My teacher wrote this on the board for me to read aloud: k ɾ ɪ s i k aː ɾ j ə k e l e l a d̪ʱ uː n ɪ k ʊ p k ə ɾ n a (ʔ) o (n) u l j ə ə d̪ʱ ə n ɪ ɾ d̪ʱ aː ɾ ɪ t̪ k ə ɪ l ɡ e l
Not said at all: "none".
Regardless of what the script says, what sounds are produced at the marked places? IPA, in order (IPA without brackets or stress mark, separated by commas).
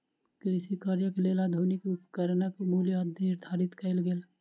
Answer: k, m